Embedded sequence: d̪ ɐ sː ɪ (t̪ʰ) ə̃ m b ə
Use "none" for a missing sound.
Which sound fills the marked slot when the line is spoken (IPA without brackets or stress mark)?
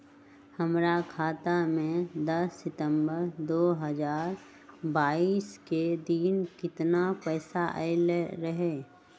t̪